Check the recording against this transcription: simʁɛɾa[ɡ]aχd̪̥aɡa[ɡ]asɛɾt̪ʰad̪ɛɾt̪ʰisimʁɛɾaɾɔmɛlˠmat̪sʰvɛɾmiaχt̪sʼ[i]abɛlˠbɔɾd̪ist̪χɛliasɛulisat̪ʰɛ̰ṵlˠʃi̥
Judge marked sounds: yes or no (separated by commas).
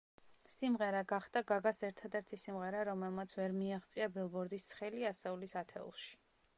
yes, yes, yes